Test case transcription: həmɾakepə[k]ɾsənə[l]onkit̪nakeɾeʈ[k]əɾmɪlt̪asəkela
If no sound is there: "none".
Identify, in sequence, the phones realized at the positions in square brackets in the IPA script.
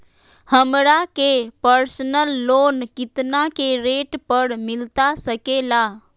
none, lː, p

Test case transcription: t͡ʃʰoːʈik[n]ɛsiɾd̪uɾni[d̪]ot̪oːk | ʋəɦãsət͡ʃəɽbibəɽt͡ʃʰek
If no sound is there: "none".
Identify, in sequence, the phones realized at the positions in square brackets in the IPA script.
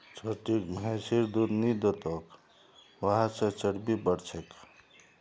m, d̪

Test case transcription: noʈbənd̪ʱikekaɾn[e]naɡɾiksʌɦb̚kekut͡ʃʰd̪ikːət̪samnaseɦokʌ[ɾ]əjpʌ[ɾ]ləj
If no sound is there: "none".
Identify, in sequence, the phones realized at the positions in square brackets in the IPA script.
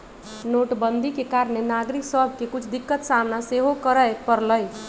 e, ɾ, ɾ

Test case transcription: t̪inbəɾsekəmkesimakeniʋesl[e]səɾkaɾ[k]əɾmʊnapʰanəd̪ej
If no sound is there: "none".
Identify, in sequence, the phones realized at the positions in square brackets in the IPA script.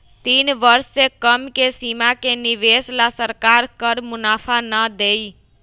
a, k

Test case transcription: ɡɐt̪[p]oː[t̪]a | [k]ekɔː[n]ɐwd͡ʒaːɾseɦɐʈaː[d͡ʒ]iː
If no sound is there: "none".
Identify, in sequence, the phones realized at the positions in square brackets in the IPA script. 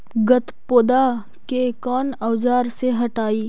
p, d̪, k, n, none

